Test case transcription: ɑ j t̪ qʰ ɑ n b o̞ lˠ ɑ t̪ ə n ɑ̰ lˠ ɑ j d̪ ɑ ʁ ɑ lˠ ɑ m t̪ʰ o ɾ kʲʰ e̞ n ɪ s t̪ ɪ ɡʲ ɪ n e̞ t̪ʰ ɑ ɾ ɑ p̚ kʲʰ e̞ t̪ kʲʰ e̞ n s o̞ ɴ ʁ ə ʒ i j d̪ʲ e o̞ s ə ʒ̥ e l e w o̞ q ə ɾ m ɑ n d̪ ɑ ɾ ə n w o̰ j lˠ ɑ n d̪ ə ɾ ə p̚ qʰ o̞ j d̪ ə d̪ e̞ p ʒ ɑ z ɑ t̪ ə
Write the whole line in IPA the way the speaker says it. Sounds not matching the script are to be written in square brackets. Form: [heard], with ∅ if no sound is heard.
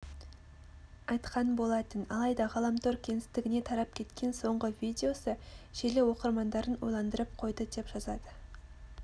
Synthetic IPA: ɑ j t̪ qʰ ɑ n b o̞ lˠ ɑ t̪ ə n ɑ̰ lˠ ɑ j d̪ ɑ ʁ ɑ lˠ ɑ m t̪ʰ o ɾ kʲʰ e̞ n ɪ s t̪ ɪ ɡʲ ɪ n e̞ t̪ʰ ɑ ɾ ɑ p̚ kʲʰ e̞ t̪ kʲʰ e̞ n s o̞ ɴ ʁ ə [v] i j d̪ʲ e o̞ s ə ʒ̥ e l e w o̞ q ə ɾ m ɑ n d̪ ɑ ɾ ə n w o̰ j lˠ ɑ n d̪ ə ɾ ə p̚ qʰ o̞ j d̪ ə d̪ e̞ p ʒ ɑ z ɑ [d̪] ə

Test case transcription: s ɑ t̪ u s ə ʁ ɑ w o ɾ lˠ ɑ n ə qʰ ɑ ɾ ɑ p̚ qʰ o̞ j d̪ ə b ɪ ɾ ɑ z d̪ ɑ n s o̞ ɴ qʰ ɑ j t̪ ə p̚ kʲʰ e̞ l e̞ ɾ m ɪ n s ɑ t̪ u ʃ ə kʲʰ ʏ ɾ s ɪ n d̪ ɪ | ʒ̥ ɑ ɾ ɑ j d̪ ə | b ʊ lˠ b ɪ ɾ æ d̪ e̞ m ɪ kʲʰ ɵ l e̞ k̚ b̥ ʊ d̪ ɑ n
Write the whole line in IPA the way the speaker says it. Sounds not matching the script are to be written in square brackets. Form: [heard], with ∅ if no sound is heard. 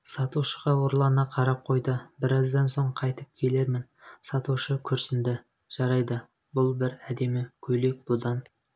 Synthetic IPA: s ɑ t̪ u [ʃ] ə ʁ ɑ w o ɾ lˠ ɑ n [ɑ] qʰ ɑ ɾ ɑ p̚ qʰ o̞ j d̪ ə b ɪ ɾ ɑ z d̪ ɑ n s o̞ ɴ qʰ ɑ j t̪ ə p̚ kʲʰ e̞ l e̞ ɾ m ɪ n s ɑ t̪ u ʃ ə kʲʰ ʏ ɾ s ɪ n d̪ ɪ | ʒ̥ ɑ ɾ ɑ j d̪ ə | b ʊ lˠ b ɪ ɾ æ d̪ e̞ m ɪ kʲʰ ɵ l e̞ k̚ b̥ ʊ d̪ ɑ n

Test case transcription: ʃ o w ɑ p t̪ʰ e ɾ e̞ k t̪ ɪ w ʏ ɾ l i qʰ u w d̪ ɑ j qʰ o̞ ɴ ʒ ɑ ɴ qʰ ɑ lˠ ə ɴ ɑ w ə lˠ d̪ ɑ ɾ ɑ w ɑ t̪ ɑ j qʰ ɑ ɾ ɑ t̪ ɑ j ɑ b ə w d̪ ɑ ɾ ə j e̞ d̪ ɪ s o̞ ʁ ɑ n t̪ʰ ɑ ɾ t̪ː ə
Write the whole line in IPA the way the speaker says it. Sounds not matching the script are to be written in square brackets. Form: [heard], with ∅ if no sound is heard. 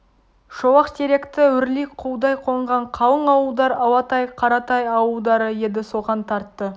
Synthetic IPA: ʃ o w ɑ [q] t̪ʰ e ɾ e̞ k t̪ ɪ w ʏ ɾ l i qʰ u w d̪ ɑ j qʰ o̞ ɴ [ʁ] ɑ ɴ qʰ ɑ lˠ ə ɴ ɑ w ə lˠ d̪ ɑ ɾ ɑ w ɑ t̪ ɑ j qʰ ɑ ɾ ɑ t̪ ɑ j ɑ [w] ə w d̪ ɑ ɾ ə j e̞ d̪ ɪ s o̞ ʁ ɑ n t̪ʰ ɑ ɾ t̪ː ə

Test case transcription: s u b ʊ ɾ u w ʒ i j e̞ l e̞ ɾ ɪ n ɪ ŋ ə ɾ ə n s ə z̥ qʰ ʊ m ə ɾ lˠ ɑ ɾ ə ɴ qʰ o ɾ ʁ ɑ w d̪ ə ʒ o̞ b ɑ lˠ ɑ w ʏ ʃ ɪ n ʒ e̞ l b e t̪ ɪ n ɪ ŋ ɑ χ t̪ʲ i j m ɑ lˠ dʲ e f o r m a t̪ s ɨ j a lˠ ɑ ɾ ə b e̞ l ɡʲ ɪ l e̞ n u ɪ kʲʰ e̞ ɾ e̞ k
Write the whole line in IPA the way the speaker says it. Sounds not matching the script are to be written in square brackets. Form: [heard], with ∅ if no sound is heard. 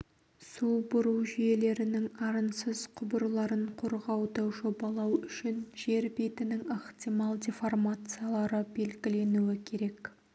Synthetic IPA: s u b ʊ ɾ u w ʒ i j e̞ l e̞ ɾ ɪ n ɪ ŋ [ɑ] ɾ ə n s ə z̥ qʰ ʊ [b] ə ɾ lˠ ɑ ɾ ə ɴ qʰ o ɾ ʁ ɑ w d̪ ə ʒ o̞ b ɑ lˠ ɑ w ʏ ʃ ɪ n ʒ e̞ [ɾ] b e t̪ ɪ n ɪ ŋ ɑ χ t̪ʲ i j m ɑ lˠ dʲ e f o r m a t̪ s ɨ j a lˠ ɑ ɾ ə b e̞ l ɡʲ ɪ l e̞ n u ɪ kʲʰ e̞ ɾ e̞ k

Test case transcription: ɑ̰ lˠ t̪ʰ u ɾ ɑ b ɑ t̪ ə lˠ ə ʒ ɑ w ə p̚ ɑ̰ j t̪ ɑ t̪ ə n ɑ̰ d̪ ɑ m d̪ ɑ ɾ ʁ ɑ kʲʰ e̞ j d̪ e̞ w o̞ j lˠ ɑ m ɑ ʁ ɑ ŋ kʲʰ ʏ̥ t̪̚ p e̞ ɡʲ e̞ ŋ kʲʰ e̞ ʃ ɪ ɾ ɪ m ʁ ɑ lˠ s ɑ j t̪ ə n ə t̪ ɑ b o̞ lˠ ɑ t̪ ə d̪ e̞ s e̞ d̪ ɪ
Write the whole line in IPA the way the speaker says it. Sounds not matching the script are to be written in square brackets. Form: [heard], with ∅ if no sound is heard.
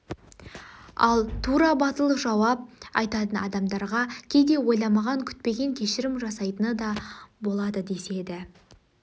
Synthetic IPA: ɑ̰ lˠ t̪ʰ u ɾ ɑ b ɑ t̪ ə lˠ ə ʒ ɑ w [ɑ] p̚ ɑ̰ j t̪ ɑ t̪ ə n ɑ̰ d̪ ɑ m d̪ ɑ ɾ ʁ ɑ kʲʰ e̞ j d̪ e̞ w o̞ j lˠ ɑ m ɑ ʁ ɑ ŋ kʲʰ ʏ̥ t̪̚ p e̞ ɡʲ e̞ ŋ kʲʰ e̞ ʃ ɪ ɾ ɪ m [ʒ] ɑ [∅] s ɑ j t̪ ə n ə [d̪] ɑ b o̞ lˠ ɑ [d̪] ə d̪ e̞ s e̞ d̪ ɪ

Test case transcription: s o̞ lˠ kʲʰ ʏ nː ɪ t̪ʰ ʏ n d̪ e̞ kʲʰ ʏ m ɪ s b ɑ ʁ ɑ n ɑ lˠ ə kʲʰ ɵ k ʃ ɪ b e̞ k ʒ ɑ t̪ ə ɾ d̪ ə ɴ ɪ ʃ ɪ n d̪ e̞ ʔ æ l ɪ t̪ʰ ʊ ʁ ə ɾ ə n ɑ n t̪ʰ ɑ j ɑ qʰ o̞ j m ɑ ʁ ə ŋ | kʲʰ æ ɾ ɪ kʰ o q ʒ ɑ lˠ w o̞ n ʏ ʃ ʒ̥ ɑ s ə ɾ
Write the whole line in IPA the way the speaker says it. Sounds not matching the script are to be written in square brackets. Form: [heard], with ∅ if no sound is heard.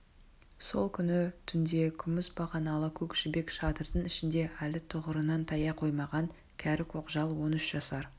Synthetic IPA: s o̞ lˠ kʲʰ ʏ [n] ɪ t̪ʰ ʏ n d̪ e̞ kʲʰ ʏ m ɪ s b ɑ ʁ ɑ n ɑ lˠ ə kʲʰ ɵ k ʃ ɪ b e̞ k [ʃ] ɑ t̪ ə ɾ d̪ ə ɴ ɪ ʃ ɪ n d̪ e̞ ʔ æ l ɪ t̪ʰ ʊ ʁ ə ɾ ə n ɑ n t̪ʰ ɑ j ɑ qʰ o̞ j m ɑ ʁ [ɑ] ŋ | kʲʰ æ ɾ ɪ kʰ o q ʒ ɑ lˠ w o̞ n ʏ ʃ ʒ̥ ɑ s [ɑ] ɾ

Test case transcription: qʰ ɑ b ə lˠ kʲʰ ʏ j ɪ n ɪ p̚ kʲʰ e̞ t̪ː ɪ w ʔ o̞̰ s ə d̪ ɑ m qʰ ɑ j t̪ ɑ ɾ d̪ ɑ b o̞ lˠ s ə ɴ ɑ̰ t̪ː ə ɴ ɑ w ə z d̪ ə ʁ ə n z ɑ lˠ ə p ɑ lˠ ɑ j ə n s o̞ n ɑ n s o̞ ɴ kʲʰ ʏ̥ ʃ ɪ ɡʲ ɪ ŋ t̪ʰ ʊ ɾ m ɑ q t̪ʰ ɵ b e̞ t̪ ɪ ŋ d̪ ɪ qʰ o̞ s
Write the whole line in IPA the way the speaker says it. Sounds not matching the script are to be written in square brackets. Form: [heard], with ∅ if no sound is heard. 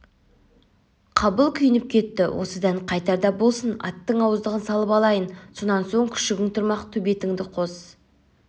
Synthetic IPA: qʰ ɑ b ə lˠ kʲʰ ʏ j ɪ n ɪ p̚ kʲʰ e̞ t̪ː ɪ w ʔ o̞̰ s ə d̪ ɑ [ɴ] qʰ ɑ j t̪ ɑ ɾ d̪ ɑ b o̞ lˠ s ə [n] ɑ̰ t̪ː ə ɴ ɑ w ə z d̪ ə ʁ ə n [s] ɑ lˠ ə p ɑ lˠ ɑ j ə n s o̞ n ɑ n s o̞ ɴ kʲʰ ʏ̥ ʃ ɪ ɡʲ ɪ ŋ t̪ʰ ʊ ɾ m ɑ q t̪ʰ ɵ b e̞ t̪ ɪ ŋ d̪ ɪ qʰ o̞ s

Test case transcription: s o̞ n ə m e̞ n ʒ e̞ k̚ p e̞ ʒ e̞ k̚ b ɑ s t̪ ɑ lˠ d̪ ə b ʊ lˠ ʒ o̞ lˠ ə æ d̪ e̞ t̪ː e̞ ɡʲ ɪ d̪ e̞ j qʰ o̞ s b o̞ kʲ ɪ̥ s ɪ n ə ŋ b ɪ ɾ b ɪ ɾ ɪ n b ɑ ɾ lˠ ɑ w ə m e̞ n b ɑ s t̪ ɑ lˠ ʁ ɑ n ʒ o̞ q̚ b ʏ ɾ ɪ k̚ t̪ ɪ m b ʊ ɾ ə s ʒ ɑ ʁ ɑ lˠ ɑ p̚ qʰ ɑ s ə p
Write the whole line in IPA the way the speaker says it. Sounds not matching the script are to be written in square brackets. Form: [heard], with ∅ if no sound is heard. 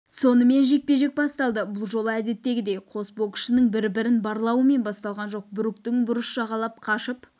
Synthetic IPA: s o̞ n ə m e̞ n ʒ e̞ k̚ p e̞ ʒ e̞ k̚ b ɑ s t̪ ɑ lˠ d̪ ə b ʊ lˠ ʒ o̞ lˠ ə æ d̪ e̞ t̪ː e̞ ɡʲ ɪ d̪ e̞ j qʰ o̞ s b o̞ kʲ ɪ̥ [ʃ] ɪ n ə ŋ b ɪ ɾ b ɪ ɾ ɪ n b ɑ ɾ lˠ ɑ w ə m e̞ n b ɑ s t̪ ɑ lˠ ʁ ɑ n ʒ o̞ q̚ b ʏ ɾ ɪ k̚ t̪ ɪ [ŋ] b ʊ ɾ ə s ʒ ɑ ʁ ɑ lˠ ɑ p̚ qʰ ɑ [ʃ] ə p

